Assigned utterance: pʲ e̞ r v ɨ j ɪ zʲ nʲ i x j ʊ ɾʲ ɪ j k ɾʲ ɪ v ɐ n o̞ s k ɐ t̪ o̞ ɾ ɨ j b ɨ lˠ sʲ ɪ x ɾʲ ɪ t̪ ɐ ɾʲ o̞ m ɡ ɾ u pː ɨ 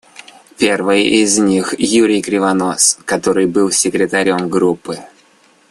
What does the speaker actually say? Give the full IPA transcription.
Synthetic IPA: pʲ e̞ r v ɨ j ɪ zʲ nʲ i x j u ɾʲ ɪ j k ɾʲ ɪ v ɐ n o̞ s k ɐ t̪ o̞ ɾ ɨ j b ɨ lˠ sʲ ɪ k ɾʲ ɪ t̪ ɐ ɾʲ o̞ m ɡ ɾ u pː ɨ